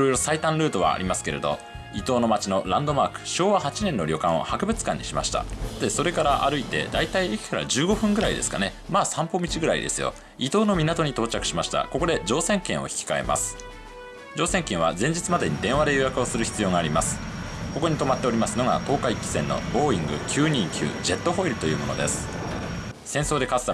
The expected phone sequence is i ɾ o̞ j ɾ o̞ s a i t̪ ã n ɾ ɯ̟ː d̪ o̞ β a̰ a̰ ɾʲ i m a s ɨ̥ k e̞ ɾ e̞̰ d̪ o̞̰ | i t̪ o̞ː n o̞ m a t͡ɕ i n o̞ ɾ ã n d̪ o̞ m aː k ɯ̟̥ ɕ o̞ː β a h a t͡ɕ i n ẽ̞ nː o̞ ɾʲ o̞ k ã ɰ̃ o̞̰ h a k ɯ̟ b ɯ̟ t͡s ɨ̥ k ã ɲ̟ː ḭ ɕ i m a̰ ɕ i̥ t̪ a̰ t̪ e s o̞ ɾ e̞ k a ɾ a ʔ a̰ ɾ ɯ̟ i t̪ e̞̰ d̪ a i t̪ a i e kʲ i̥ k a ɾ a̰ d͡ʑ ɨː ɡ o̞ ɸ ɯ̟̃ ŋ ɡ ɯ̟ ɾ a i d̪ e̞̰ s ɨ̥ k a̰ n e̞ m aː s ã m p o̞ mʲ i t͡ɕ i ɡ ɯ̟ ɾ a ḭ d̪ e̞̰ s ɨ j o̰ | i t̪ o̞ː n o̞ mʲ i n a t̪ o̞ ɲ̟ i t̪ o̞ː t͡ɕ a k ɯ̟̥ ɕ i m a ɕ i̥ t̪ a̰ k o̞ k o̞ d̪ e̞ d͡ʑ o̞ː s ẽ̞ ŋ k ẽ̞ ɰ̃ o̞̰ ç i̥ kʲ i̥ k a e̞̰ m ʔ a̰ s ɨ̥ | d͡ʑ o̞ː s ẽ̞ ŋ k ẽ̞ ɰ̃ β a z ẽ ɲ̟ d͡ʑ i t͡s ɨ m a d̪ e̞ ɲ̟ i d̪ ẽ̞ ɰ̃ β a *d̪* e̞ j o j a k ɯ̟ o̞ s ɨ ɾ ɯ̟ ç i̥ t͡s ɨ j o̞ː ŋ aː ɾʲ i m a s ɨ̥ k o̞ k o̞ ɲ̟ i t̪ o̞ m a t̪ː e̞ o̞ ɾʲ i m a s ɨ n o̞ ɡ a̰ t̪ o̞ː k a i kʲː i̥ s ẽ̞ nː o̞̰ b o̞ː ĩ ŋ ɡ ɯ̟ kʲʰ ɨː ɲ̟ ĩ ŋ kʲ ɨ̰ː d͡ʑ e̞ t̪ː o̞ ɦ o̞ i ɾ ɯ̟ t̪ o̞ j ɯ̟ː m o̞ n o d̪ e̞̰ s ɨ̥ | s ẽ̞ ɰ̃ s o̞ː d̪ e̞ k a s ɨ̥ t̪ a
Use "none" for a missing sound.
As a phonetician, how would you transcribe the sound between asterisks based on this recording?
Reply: d̪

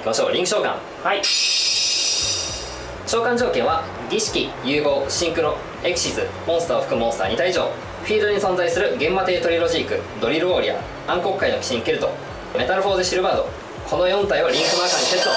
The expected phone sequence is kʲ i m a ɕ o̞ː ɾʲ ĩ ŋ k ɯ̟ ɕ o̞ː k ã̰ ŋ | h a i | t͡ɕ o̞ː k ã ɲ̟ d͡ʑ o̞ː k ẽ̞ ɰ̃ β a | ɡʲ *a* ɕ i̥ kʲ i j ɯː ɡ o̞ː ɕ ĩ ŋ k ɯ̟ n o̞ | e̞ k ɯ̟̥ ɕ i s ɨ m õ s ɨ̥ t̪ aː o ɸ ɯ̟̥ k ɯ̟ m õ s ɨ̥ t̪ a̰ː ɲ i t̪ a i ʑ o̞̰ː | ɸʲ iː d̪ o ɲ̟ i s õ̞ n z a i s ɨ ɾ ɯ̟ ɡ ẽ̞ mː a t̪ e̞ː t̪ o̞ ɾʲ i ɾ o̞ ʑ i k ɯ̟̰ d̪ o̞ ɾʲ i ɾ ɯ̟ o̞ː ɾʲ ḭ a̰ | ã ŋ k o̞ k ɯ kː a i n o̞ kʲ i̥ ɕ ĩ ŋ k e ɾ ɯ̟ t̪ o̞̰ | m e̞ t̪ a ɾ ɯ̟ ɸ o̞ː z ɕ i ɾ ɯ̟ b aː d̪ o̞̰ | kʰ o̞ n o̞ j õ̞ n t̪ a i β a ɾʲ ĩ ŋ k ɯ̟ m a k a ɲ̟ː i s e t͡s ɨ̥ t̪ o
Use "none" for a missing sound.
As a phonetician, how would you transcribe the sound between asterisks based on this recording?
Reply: i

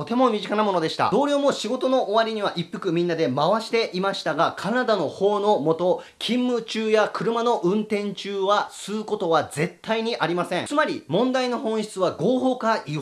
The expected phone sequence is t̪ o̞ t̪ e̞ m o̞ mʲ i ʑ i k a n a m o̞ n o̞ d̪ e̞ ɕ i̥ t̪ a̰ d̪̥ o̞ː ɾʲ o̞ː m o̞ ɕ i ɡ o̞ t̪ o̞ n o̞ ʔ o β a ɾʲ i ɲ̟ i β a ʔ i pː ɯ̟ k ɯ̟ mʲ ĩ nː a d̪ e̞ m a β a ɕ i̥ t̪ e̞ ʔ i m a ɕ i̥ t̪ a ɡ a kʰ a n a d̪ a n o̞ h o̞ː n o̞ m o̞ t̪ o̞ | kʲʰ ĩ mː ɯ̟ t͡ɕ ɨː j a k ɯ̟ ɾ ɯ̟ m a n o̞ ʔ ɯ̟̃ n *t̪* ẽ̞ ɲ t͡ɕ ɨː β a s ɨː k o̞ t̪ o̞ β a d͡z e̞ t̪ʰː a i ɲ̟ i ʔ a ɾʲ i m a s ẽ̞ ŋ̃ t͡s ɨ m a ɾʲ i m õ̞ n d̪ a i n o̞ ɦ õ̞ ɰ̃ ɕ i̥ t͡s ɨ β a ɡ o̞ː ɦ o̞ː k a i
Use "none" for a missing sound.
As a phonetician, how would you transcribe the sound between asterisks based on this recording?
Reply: t̪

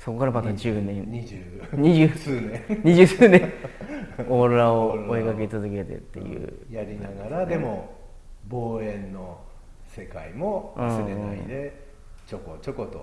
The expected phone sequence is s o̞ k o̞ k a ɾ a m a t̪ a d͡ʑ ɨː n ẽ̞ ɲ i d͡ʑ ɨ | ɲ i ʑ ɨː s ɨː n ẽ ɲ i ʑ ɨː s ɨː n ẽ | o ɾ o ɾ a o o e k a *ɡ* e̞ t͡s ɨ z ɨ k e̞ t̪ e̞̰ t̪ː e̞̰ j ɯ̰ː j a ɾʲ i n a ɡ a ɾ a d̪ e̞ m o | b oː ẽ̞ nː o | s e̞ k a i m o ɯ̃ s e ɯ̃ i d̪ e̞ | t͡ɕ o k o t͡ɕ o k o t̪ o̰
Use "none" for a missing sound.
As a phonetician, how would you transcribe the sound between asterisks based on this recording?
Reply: k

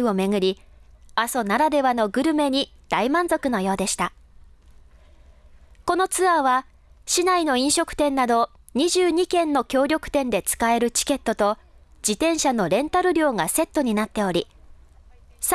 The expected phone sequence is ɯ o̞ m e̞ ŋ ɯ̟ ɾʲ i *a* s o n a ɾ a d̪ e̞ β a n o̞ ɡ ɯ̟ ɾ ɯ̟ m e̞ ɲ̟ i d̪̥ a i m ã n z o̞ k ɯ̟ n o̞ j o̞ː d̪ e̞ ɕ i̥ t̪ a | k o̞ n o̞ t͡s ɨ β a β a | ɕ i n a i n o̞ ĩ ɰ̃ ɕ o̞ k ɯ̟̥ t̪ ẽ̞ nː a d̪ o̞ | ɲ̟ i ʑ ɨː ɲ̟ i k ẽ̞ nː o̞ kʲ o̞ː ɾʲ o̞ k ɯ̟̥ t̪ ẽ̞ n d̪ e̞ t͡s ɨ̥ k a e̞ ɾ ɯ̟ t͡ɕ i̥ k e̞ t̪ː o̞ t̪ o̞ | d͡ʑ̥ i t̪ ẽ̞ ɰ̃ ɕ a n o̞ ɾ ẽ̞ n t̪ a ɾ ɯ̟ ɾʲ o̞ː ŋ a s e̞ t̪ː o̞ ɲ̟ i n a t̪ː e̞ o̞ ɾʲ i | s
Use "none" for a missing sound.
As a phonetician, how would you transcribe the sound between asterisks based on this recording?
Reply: a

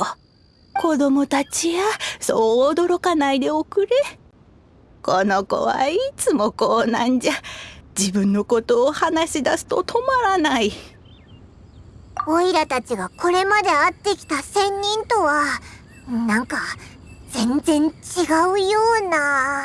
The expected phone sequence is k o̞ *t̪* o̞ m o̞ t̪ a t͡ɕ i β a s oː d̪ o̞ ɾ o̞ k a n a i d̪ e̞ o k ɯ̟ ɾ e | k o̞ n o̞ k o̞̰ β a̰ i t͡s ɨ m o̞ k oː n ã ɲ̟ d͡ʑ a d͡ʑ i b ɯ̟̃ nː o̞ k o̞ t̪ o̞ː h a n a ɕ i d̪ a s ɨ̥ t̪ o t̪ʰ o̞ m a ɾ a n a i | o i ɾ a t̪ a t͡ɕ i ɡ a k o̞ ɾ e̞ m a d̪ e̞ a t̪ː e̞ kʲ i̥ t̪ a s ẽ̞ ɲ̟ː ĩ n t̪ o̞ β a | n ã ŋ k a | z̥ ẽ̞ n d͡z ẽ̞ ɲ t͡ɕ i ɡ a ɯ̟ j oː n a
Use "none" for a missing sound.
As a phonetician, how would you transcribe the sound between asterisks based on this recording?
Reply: d̪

